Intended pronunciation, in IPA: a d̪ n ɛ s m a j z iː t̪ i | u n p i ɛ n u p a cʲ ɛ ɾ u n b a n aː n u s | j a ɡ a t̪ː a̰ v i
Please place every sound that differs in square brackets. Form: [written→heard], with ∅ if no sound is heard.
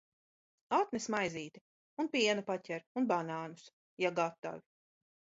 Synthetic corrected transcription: a [d̪→t̪] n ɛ s m a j z iː t̪ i | u n p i ɛ n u p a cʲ ɛ ɾ u n b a n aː n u s | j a ɡ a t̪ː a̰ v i